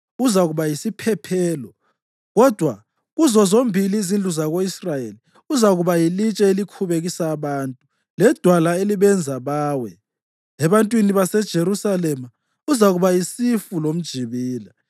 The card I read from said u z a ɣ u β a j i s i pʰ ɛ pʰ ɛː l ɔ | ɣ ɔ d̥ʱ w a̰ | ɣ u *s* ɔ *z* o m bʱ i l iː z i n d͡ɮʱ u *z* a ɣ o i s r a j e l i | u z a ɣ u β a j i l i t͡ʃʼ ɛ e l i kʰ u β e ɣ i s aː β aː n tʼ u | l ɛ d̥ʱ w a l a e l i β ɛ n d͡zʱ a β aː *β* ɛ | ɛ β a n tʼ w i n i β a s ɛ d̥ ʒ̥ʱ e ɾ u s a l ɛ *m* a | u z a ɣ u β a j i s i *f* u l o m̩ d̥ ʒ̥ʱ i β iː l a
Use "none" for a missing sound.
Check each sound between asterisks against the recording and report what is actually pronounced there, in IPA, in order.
z, z, z, w, m, f

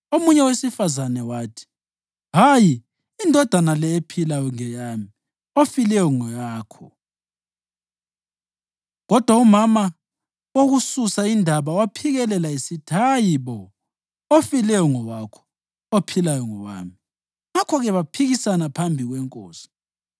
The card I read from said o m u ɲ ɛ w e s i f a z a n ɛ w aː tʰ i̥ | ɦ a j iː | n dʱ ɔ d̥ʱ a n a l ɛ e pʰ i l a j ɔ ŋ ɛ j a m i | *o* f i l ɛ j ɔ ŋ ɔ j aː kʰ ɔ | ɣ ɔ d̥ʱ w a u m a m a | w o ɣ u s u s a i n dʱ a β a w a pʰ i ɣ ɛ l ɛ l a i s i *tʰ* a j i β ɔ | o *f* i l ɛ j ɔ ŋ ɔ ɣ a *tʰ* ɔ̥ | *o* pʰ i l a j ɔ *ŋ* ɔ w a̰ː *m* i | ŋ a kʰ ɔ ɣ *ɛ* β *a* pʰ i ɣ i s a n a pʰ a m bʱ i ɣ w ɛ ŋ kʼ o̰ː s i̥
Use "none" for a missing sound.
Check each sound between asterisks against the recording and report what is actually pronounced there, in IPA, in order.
o, tʰ, f, kʰ, o, ŋ, m, ɛ, a

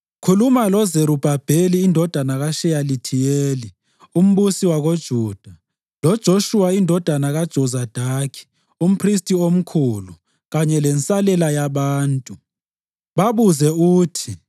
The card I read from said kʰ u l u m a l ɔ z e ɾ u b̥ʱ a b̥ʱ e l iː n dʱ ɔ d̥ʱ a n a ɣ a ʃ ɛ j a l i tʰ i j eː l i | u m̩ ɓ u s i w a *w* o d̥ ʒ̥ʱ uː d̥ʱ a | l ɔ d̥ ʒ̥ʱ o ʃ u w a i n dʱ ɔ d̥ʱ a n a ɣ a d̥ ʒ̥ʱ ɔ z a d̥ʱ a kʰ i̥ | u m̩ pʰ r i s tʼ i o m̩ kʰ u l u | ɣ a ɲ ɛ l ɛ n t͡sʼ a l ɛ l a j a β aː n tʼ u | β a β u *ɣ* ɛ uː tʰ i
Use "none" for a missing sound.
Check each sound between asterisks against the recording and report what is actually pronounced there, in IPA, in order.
ɣ, z

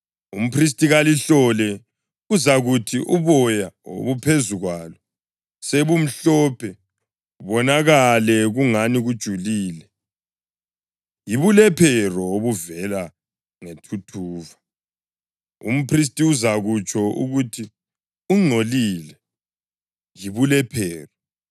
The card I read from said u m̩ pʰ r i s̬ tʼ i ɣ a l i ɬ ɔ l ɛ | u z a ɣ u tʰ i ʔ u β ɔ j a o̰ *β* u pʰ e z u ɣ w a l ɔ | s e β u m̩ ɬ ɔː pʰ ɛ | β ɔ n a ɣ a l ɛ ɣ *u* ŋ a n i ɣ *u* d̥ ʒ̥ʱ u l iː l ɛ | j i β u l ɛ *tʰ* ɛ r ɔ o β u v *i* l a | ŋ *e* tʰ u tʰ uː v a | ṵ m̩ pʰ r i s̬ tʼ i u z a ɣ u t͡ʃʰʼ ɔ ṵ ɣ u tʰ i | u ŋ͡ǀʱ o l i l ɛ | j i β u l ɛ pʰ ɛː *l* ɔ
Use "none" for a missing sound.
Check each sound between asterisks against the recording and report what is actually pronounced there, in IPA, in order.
β, u, u, pʰ, ɛ, e, r

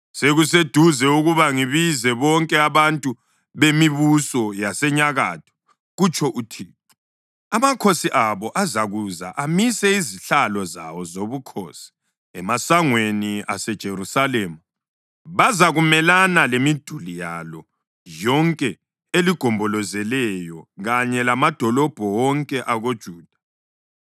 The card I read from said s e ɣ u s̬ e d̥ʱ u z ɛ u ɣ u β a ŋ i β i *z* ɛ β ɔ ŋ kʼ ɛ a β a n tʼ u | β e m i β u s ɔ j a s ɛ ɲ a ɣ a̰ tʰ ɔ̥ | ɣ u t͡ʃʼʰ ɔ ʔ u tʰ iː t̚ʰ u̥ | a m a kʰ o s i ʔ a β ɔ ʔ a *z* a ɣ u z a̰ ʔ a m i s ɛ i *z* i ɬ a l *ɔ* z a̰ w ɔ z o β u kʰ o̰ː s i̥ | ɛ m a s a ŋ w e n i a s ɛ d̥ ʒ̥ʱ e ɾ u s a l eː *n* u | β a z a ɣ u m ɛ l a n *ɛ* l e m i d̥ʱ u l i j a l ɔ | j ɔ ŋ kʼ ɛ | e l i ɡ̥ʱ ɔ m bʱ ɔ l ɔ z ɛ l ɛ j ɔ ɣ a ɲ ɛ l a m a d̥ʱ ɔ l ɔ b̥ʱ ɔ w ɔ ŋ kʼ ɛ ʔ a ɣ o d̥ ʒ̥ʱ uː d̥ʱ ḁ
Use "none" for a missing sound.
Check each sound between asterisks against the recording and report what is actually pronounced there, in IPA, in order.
z, z, z, ɔ, m, a

